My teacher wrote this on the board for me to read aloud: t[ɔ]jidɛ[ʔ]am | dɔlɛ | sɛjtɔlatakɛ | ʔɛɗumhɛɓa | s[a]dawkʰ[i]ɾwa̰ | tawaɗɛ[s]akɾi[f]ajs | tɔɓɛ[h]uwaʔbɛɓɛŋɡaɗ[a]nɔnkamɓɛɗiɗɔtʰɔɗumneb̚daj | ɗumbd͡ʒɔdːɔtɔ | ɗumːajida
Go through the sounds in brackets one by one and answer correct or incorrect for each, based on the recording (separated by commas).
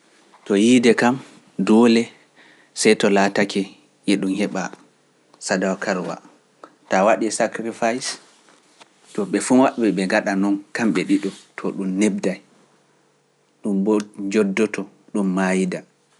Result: correct, incorrect, correct, incorrect, correct, correct, incorrect, correct